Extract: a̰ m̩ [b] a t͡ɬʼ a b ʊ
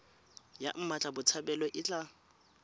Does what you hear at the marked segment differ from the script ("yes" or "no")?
yes